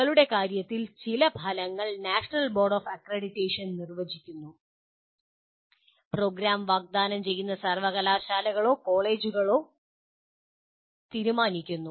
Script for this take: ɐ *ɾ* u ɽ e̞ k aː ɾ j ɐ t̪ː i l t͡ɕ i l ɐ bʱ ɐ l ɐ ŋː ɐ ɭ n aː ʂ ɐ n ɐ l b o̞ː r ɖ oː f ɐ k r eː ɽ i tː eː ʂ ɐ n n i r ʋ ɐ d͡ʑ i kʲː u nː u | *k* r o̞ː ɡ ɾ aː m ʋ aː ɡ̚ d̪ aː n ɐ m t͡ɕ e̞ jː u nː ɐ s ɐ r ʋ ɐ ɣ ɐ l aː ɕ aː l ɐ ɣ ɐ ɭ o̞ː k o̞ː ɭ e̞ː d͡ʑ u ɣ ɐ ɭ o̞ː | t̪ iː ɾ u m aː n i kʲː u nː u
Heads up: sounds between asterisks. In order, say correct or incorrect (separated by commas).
incorrect, incorrect